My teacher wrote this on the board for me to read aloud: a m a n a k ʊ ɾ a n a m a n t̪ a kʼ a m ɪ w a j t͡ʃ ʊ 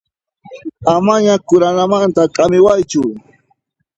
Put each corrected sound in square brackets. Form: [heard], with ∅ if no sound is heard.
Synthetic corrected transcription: a m a [ɲ] a k ʊ ɾ a n a m a n t̪ a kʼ a m ɪ w a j t͡ʃ ʊ